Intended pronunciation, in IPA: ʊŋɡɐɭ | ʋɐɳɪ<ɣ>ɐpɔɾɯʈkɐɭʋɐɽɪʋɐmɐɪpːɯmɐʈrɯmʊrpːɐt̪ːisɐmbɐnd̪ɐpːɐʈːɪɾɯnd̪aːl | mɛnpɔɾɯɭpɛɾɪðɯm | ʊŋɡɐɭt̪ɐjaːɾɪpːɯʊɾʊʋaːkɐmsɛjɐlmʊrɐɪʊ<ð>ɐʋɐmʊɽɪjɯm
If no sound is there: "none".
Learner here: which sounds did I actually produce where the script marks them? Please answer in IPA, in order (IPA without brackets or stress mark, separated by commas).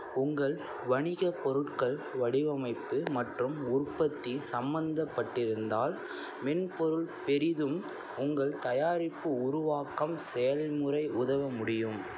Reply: ɣ, ð